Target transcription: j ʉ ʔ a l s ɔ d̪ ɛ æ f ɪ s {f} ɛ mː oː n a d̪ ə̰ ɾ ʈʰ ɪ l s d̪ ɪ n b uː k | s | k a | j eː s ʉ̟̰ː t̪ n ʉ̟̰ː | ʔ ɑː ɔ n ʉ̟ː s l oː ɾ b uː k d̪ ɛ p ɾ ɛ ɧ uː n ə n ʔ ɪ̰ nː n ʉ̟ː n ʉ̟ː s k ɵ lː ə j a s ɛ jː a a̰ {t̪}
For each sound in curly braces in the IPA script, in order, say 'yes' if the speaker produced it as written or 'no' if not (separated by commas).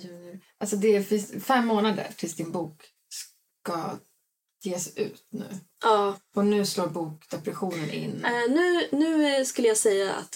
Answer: yes, yes